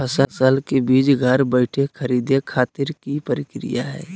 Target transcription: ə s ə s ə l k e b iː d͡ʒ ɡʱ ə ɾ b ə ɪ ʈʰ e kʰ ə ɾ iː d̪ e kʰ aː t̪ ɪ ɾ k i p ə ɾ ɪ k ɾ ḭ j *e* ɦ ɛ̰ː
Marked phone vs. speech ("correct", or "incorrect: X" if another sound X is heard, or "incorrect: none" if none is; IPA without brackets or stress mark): incorrect: a